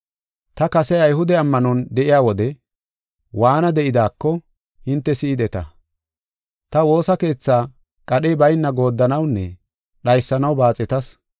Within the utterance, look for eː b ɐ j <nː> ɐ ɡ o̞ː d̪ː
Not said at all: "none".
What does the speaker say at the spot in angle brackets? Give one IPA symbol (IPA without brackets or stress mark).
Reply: nː